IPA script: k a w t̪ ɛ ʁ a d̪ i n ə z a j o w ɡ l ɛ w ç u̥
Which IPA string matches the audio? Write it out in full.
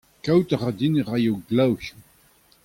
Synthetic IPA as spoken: k a w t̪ a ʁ a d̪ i n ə ʁ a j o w ɡ l a w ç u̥